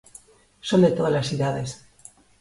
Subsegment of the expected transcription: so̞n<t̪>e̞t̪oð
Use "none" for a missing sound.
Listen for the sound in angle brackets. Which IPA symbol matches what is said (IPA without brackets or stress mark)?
d̪